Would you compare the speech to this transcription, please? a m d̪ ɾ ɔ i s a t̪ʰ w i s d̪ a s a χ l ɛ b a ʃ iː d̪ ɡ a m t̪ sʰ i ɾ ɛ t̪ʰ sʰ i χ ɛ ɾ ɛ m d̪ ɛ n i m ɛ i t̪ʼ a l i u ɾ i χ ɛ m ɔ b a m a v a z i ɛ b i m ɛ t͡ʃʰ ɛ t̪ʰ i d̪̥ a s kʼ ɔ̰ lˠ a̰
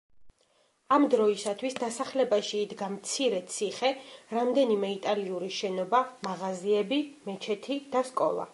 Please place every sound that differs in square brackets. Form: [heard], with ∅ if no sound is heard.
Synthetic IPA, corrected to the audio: a m d̪ ɾ ɔ i s a t̪ʰ w i s d̪ a s a χ l ɛ b a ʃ iː d̪ ɡ a m t̪ sʰ i ɾ ɛ [t̪] sʰ i χ ɛ ɾ [a] m d̪ ɛ n i m ɛ i t̪ʼ a l i u ɾ i [ʃ] ɛ [n] ɔ b a m a [ʁ] a z i ɛ b i m ɛ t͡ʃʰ ɛ t̪ʰ i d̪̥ a s kʼ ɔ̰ lˠ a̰